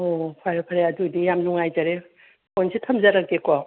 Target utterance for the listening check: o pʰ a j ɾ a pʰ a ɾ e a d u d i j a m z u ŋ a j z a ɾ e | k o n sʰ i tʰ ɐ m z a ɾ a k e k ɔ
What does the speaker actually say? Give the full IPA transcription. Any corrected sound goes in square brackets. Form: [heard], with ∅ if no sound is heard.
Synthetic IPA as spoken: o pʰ a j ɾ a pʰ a ɾ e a d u d i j a m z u ŋ a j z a ɾ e | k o n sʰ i tʰ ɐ m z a ɾ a k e k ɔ